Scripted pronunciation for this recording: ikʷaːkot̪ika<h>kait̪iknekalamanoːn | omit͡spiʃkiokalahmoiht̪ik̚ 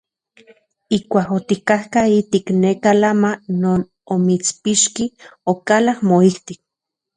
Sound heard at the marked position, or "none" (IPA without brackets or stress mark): h